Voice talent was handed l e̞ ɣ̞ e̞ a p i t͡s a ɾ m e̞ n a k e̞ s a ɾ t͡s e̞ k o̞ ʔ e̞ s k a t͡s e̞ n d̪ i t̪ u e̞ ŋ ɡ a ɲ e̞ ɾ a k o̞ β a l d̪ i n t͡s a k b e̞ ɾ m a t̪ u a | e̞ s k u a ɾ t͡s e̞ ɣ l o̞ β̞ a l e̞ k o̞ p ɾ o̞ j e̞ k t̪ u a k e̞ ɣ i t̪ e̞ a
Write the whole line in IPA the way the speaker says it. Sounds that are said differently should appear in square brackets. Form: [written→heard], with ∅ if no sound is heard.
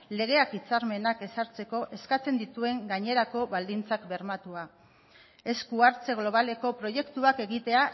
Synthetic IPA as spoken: l e̞ ɣ̞ e̞ a [p→k] i t͡s a ɾ m e̞ n a k e̞ s a ɾ t͡s e̞ k o̞ ʔ e̞ s k a t͡s e̞ n d̪ i t̪ u e̞ ŋ ɡ a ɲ e̞ ɾ a k o̞ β a l d̪ i n t͡s a k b e̞ ɾ m a t̪ u a | e̞ s k u a ɾ t͡s e̞ ɣ l o̞ β̞ a l e̞ k o̞ p ɾ o̞ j e̞ k t̪ u a k e̞ ɣ i t̪ e̞ a